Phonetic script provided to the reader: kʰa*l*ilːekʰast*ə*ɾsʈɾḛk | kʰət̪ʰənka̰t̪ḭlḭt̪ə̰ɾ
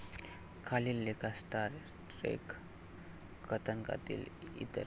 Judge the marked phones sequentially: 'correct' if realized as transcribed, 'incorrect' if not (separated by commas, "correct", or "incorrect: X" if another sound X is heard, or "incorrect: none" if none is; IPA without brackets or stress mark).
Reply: correct, incorrect: a